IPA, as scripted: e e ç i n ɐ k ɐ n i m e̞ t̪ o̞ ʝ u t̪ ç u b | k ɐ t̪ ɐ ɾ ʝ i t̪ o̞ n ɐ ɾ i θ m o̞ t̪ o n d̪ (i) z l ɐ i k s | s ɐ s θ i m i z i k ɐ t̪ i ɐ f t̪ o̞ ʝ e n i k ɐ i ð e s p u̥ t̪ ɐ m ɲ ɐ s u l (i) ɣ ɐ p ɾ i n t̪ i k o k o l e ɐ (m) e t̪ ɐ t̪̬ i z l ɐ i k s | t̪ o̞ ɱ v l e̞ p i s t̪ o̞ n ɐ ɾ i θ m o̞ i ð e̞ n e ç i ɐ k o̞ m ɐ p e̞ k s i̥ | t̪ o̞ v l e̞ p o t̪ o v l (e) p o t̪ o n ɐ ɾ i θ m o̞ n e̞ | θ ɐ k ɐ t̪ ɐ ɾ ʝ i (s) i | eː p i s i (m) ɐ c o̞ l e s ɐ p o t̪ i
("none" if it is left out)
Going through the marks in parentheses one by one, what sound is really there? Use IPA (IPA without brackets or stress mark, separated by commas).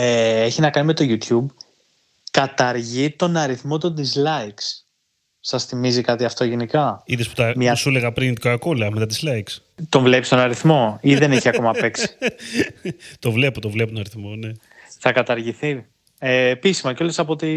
i, e, m, e, θ, m